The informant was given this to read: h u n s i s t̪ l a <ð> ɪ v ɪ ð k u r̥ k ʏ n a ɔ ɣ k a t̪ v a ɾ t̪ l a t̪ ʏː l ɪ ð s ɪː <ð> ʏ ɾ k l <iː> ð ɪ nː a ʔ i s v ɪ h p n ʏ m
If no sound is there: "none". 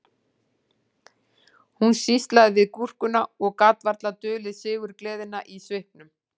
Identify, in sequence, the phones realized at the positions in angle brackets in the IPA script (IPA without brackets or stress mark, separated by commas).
ð, ɣ, ɛː